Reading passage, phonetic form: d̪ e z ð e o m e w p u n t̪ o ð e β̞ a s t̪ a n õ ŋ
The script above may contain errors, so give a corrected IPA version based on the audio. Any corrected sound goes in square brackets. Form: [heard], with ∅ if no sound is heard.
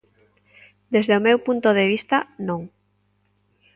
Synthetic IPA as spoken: d̪ e z ð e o m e w p u n t̪ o ð e β̞ [i] s t̪ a n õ ŋ